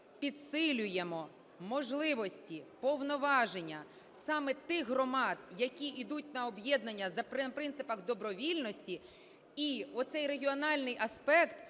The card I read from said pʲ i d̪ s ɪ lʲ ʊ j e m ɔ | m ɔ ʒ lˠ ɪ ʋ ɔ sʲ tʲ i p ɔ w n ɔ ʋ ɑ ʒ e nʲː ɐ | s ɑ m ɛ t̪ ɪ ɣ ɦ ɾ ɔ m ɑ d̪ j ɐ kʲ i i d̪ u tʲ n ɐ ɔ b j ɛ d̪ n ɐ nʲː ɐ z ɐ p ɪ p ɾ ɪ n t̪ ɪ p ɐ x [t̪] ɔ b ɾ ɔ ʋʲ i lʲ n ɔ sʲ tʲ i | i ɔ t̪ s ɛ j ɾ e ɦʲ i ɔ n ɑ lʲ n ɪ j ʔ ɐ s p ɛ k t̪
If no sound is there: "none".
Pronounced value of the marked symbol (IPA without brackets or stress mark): d̪